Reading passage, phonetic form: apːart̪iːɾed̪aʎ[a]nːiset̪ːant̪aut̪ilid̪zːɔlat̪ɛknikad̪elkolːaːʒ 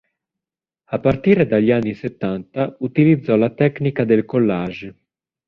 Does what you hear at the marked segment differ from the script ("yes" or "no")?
no